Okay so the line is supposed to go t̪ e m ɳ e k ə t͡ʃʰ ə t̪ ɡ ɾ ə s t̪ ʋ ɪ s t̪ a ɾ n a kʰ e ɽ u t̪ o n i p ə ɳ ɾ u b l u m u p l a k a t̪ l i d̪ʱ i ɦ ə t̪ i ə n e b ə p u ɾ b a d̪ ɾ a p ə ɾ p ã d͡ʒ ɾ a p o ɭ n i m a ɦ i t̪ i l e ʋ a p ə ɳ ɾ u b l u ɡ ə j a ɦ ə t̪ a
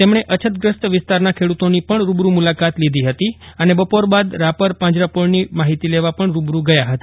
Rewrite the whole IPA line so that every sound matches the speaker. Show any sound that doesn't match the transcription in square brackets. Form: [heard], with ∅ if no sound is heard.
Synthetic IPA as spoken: t̪ e m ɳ e [ʔ] ə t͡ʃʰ ə t̪ ɡ ɾ ə s t̪ ʋ ɪ s t̪ a ɾ n a kʰ e ɽ u t̪ o n i p ə ɳ ɾ u b [ɾ] u m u [∅] l a k a t̪ l i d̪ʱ i ɦ ə t̪ i ə n e b ə p [o] ɾ b a d̪ ɾ a p ə ɾ p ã d͡ʒ ɾ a p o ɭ n i m a ɦ i t̪ i l e ʋ a p ə ɳ ɾ u b [ɾ] u ɡ ə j a ɦ ə t̪ a